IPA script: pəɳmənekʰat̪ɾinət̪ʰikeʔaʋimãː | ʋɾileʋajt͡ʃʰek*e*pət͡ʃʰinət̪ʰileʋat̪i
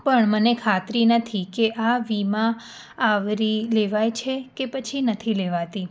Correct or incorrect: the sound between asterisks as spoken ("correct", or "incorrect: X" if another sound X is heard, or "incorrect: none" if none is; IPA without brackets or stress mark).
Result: correct